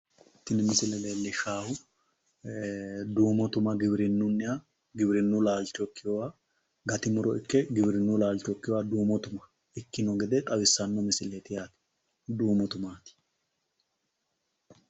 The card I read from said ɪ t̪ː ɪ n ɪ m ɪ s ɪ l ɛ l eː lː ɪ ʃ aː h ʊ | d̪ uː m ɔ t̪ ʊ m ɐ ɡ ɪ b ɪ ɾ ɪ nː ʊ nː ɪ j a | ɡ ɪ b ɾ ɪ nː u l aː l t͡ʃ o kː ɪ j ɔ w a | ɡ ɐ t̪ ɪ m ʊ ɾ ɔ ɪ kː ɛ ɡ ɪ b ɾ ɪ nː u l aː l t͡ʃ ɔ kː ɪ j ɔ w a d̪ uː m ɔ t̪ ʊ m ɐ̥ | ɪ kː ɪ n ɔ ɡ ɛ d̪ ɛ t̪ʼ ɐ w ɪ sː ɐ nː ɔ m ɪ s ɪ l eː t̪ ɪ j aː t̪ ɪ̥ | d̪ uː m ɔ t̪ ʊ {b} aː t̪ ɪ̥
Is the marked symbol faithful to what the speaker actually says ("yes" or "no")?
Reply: no